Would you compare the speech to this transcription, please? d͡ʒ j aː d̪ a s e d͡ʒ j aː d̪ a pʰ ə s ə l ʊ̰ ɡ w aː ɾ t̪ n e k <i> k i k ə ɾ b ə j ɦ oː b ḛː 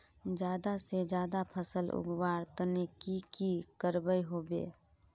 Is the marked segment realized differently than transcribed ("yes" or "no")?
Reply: no